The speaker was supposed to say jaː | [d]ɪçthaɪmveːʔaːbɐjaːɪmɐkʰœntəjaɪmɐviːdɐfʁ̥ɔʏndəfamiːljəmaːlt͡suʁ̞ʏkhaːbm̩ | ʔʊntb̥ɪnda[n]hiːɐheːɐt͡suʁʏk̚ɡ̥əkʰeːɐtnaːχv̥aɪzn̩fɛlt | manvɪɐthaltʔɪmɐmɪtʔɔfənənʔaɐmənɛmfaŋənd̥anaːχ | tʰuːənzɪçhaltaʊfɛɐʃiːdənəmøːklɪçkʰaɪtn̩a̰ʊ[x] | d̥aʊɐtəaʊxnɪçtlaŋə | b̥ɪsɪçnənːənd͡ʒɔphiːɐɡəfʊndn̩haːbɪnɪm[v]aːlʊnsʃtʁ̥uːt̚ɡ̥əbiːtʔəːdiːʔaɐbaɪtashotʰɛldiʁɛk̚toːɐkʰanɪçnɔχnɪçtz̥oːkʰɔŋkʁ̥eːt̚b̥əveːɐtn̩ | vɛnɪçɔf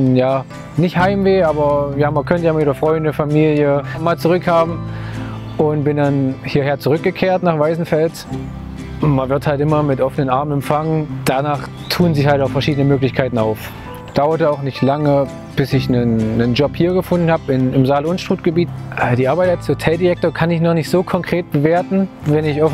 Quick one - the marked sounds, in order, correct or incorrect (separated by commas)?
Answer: incorrect, correct, incorrect, incorrect